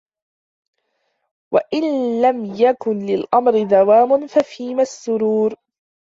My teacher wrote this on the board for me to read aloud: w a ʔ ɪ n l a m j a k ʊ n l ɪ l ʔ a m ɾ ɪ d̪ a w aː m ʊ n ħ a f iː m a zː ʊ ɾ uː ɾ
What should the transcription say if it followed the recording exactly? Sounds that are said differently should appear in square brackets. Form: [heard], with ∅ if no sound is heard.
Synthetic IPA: w a ʔ ɪ n l a m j a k ʊ n l ɪ l ʔ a m ɾ ɪ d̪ a w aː m ʊ n [f] a f iː m a [sː] ʊ ɾ uː ɾ